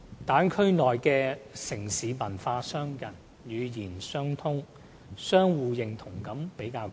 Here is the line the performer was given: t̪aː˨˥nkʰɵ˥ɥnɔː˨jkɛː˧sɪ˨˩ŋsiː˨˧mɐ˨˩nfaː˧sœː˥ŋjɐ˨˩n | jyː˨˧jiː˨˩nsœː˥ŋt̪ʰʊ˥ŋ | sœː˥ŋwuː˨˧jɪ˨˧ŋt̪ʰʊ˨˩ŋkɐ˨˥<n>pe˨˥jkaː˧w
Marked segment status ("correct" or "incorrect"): incorrect